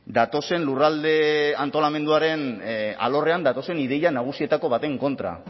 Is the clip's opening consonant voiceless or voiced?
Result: voiced